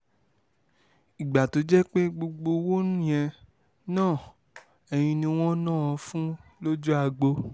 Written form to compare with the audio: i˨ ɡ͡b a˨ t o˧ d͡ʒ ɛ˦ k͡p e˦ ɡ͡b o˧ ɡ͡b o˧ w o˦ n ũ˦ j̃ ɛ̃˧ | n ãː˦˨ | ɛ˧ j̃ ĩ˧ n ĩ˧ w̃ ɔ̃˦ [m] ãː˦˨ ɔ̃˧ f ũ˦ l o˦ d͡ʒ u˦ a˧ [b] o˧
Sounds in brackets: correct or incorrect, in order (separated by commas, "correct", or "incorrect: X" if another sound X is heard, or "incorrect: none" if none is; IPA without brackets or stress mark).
incorrect: n, incorrect: ɡ͡b